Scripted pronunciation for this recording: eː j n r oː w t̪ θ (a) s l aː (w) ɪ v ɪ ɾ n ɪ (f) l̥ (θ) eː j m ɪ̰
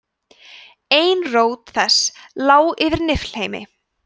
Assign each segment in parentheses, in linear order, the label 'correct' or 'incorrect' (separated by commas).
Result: incorrect, correct, correct, incorrect